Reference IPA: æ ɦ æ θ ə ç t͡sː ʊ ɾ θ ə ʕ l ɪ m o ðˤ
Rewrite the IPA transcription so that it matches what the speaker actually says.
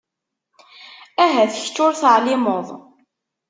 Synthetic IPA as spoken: æ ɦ æ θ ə ç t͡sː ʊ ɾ θ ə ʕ l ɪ m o ðˤ